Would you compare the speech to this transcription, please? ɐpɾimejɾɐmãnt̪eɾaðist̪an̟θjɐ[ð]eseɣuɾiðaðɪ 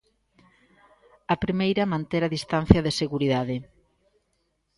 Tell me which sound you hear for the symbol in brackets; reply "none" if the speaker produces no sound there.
ð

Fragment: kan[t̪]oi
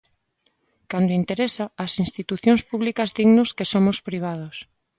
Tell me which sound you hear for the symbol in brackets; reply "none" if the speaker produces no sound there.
d̪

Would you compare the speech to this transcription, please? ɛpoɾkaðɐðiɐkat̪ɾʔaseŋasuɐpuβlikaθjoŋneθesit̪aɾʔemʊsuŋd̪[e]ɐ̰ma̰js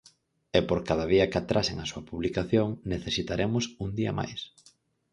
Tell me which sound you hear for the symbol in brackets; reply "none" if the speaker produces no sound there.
i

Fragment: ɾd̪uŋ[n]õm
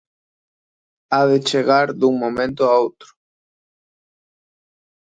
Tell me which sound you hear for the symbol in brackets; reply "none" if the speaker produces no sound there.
m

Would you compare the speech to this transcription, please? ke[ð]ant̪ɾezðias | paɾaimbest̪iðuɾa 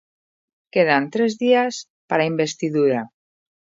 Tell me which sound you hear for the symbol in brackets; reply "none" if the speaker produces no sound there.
ð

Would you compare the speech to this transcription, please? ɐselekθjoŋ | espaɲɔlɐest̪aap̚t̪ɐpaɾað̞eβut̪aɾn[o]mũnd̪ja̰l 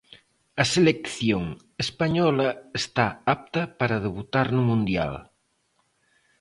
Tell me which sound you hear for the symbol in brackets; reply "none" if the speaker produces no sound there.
u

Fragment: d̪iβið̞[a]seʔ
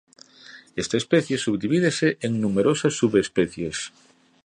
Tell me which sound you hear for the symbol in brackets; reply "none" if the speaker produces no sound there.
e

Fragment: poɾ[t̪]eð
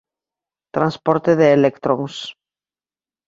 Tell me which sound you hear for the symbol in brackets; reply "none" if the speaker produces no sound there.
t̪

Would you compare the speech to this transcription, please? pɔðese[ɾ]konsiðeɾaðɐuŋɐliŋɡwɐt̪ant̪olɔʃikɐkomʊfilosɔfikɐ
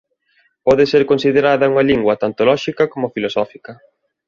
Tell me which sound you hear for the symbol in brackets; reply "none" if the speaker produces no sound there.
ɾ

